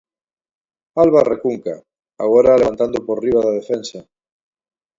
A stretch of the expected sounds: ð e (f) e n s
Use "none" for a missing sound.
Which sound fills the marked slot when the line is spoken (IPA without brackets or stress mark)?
f